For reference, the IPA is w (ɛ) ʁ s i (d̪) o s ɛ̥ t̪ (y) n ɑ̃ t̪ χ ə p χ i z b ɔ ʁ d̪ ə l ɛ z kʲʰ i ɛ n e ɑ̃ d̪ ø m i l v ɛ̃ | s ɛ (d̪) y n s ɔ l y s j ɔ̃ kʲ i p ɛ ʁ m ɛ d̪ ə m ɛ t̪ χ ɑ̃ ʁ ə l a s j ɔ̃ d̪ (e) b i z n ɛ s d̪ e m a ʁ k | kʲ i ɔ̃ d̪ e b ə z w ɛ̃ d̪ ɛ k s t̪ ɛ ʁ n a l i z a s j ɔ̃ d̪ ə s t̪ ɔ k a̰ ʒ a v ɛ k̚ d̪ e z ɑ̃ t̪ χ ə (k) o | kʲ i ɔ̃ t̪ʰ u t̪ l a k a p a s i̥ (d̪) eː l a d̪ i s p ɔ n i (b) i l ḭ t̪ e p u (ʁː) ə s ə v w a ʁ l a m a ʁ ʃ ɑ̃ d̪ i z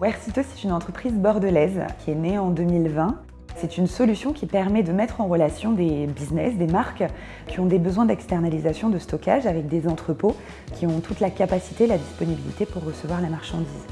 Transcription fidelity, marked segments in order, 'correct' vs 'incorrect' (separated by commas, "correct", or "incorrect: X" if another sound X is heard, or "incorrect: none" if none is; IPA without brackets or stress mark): correct, incorrect: t̪, correct, incorrect: t̪, correct, incorrect: p, incorrect: t̪, correct, correct